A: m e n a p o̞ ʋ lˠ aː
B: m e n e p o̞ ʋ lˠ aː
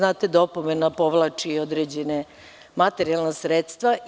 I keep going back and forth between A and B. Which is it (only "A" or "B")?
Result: A